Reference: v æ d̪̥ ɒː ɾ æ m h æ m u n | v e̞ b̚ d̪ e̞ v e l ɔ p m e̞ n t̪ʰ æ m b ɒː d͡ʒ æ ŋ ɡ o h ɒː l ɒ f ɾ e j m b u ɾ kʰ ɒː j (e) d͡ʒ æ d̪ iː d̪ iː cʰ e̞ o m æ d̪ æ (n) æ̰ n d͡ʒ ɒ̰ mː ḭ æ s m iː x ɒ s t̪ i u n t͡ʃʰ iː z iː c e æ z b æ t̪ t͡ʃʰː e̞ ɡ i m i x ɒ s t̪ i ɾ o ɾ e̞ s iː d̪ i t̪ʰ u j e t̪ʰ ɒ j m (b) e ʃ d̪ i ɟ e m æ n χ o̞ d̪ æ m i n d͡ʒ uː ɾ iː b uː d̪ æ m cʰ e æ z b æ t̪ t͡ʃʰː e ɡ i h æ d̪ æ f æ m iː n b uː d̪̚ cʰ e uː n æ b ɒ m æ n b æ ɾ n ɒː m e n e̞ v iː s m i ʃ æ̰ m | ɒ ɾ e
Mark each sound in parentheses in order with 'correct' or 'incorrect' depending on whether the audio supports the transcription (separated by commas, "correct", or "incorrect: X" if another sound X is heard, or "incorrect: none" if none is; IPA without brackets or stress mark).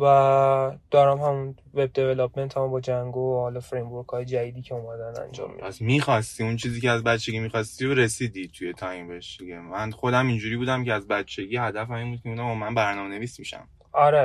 correct, correct, correct